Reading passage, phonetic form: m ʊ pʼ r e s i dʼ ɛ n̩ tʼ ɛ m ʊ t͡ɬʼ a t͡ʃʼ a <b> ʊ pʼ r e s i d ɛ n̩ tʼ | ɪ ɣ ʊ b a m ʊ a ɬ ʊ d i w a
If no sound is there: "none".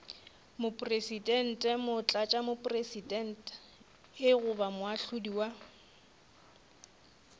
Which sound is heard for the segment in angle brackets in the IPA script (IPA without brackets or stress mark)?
m